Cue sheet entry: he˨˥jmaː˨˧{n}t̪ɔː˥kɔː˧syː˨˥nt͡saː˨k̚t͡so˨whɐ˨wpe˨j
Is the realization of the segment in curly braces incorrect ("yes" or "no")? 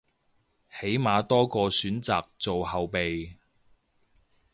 yes